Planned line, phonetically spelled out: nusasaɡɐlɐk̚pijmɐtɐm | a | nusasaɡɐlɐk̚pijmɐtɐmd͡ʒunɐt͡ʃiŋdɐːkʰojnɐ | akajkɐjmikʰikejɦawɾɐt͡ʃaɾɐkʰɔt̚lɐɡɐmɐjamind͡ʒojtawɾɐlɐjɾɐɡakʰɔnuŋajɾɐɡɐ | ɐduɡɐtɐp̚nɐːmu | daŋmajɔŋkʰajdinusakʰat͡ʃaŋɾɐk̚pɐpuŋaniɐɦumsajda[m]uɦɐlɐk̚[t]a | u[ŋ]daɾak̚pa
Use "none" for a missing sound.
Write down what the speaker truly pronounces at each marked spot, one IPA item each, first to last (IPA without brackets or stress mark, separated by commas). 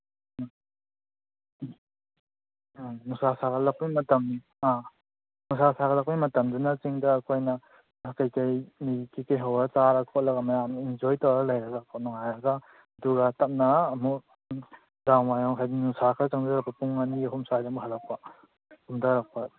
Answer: m, p, m